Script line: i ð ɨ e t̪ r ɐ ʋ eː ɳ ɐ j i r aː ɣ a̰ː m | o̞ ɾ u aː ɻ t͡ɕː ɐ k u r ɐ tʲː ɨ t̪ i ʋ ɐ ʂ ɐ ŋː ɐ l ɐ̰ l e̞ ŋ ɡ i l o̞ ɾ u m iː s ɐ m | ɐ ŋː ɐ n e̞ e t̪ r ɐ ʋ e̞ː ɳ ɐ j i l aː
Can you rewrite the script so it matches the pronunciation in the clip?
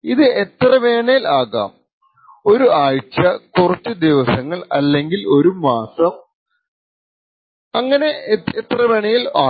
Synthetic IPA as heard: i ð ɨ e t̪ r ɐ ʋ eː ɳ ɐ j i l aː ɣ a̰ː m | o̞ ɾ u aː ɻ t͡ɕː ɐ k u r ɐ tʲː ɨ d̪ i ʋ ɐ s ɐ ŋː ɐ ɭ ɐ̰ lː e̞ ŋ ɡ i l o̞ ɾ u m aː s ɐ m | ɐ ŋː ɐ n e̞ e t̪ r ɐ ʋ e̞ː ɳ ɐ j i l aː